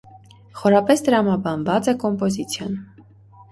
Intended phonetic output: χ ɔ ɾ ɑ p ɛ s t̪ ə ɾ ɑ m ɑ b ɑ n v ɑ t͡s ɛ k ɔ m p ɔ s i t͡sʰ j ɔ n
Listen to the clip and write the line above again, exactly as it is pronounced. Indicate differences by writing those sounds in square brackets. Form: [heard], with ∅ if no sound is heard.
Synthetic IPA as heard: χ ɔ ɾ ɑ p ɛ s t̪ ə ɾ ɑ m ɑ b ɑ n v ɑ t͡s ɛ k ɔ m p ɔ [z] i t͡sʰ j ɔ n